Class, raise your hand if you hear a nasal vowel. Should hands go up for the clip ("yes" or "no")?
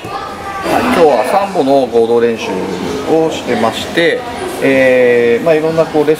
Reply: yes